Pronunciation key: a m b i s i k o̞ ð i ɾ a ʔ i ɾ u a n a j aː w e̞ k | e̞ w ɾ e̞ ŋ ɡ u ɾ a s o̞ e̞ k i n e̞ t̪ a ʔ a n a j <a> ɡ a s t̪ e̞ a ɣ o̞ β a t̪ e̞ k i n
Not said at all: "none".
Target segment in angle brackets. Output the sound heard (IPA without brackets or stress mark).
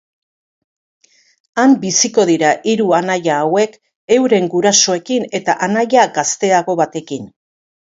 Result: a